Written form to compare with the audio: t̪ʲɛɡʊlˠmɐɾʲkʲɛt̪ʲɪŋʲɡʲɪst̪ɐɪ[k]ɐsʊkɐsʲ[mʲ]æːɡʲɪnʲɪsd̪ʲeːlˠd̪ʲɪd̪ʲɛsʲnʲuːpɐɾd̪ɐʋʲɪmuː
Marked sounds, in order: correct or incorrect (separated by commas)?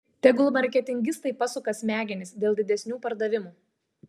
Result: incorrect, correct